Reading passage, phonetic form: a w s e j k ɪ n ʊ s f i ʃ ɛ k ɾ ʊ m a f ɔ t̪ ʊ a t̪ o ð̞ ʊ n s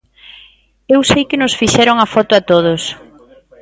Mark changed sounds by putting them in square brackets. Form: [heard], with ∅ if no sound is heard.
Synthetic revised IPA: [e] w s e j k ɪ n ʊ s f i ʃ ɛ [∅] ɾ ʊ [ŋ] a f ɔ t̪ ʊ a t̪ o ð̞ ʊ [∅] s